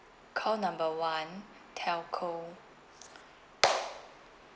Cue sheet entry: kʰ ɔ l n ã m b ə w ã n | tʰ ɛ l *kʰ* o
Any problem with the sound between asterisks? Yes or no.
no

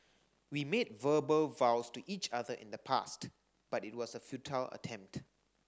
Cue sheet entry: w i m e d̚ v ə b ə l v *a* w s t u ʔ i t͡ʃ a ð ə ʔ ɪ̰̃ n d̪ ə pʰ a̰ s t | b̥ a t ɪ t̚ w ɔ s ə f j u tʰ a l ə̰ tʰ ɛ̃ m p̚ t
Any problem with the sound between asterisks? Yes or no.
no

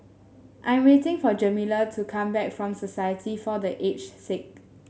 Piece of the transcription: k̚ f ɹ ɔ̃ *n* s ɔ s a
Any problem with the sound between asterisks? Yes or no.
yes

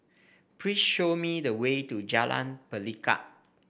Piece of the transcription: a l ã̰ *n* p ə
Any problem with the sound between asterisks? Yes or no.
no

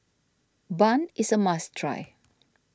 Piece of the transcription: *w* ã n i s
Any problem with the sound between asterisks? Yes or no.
yes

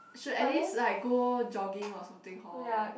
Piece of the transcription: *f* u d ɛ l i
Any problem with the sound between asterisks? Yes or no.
yes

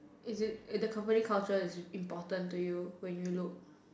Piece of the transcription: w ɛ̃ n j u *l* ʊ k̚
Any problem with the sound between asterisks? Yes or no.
no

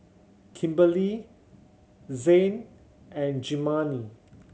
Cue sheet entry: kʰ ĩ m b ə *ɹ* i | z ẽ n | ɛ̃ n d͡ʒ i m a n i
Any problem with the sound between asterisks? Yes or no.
yes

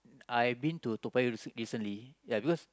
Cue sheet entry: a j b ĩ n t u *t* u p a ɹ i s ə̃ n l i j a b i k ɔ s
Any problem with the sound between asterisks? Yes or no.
no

